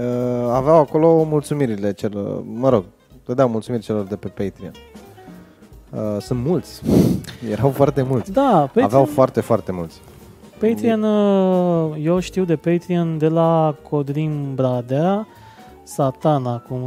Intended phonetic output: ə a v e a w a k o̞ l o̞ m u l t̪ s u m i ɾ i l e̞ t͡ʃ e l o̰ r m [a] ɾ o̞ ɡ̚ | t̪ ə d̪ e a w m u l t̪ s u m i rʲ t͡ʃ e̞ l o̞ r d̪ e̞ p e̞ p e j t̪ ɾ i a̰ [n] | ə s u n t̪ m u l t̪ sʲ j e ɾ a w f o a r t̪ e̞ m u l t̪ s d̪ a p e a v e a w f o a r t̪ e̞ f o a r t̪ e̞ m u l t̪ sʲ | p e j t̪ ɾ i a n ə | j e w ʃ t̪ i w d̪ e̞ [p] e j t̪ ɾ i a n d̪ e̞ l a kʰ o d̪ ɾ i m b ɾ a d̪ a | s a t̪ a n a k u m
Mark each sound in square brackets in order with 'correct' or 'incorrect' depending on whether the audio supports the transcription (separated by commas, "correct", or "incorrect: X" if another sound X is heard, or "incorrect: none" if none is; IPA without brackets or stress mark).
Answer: incorrect: ə, correct, correct